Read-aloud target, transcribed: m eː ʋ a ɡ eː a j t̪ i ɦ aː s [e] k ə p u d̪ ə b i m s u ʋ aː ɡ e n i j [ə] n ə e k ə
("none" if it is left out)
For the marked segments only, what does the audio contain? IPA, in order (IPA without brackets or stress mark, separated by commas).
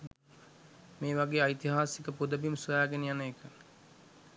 i, a